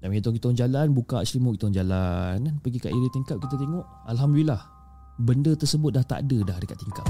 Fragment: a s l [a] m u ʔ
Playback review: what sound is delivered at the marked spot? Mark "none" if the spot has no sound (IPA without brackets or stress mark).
i